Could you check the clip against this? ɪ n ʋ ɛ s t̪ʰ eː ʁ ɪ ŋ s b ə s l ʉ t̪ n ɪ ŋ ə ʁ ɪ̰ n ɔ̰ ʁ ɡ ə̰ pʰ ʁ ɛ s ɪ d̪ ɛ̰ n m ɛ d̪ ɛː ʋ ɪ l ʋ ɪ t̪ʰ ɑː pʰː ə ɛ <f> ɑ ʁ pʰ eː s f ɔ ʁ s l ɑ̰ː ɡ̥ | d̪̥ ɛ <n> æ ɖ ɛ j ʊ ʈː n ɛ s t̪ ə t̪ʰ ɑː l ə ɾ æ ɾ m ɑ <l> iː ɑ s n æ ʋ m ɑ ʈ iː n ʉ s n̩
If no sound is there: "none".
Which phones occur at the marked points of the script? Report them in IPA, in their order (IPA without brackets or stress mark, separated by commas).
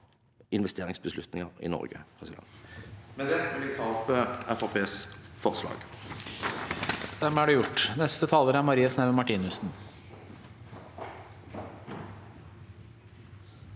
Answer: f, m, ɾ